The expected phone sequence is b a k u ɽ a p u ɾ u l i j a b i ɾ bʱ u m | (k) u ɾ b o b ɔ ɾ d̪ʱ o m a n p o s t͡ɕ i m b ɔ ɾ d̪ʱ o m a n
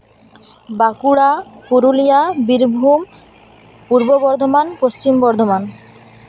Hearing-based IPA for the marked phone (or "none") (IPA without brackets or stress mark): p